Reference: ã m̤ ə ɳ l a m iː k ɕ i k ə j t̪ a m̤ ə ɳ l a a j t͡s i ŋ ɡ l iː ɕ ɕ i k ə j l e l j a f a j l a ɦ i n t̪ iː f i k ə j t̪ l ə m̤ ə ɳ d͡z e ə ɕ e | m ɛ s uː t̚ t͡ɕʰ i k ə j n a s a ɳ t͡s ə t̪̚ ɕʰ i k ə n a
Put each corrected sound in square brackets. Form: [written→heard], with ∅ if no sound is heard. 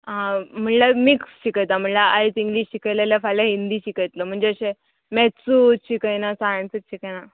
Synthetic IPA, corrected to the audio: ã m̤ ə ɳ l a m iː k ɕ i k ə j t̪ a m̤ ə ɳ l a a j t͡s i ŋ ɡ l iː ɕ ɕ i k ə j l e l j a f a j l a ɦ i n [t̪→d̪] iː [f→ɕ] i k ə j t̪ l ə m̤ ə ɳ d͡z e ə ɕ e | m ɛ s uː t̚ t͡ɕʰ i k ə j n a s a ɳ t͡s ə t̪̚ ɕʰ i k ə n a